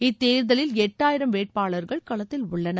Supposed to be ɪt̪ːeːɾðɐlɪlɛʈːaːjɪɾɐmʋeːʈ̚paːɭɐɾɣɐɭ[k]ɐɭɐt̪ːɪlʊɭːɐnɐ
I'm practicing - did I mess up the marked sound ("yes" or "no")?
no